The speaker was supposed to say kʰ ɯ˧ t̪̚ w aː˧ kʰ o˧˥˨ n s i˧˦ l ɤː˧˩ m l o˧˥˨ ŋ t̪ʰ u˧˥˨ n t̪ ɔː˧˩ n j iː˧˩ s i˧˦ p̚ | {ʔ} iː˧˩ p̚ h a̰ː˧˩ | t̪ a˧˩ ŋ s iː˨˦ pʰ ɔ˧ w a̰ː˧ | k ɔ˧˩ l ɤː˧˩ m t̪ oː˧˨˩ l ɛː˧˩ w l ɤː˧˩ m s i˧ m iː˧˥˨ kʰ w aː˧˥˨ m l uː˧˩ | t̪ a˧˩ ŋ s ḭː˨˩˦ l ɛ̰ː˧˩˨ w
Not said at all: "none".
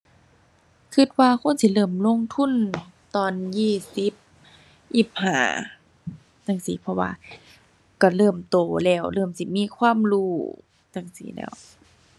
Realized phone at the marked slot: ʔ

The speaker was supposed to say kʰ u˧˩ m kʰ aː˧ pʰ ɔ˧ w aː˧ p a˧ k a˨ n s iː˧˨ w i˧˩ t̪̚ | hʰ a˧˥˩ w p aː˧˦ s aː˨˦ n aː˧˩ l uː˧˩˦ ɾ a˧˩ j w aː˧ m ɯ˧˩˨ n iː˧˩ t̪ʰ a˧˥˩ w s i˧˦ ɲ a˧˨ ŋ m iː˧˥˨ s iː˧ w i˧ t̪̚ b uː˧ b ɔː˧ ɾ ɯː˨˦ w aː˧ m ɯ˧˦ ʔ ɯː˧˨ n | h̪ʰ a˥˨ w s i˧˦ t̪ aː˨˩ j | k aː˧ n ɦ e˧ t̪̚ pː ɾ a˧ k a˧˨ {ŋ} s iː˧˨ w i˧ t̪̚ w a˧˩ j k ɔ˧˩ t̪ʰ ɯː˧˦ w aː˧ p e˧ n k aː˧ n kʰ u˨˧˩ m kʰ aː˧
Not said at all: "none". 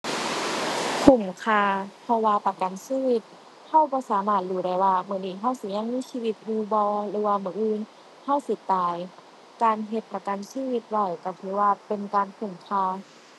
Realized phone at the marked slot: n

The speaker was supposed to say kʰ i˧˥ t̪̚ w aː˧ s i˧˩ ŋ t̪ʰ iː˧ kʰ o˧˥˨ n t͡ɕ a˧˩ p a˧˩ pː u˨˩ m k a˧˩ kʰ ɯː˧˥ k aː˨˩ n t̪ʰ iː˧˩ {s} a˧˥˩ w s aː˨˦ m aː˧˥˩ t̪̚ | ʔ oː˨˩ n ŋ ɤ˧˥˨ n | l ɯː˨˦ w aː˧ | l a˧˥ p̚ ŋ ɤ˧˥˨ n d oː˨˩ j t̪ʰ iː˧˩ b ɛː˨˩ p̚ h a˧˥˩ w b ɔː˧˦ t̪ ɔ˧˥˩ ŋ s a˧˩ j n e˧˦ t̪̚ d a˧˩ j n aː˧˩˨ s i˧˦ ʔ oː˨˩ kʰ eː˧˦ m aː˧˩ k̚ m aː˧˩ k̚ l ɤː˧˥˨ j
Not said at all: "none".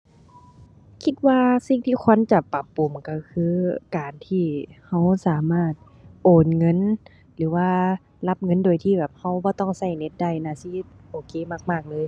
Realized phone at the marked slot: h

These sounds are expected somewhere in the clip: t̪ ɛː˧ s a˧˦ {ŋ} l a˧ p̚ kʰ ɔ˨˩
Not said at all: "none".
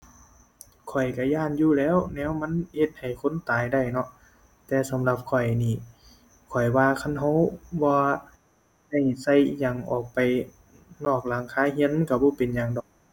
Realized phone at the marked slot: m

